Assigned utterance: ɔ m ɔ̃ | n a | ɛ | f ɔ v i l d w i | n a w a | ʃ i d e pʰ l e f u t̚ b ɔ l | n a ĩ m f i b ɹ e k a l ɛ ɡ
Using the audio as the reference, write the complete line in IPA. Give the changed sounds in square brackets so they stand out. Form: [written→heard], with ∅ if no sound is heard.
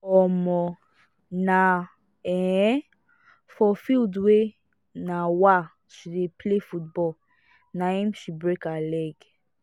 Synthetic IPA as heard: ɔ m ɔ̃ | n a | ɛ | f ɔ [v→f] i l d w [i→e] | n a w a | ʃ i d e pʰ l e f u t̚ b ɔ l | n a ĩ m [f→ʃ] i b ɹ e k a l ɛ ɡ